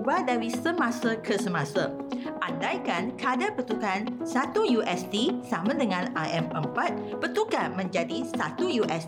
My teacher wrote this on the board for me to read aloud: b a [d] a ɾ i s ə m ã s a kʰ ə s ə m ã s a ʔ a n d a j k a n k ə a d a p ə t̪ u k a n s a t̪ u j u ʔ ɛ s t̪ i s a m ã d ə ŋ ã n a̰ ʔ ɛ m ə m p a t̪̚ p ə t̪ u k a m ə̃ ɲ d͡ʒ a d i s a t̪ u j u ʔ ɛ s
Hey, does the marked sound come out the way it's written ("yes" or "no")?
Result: yes